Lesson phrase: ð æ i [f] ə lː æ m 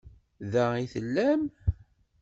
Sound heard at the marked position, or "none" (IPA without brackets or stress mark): θ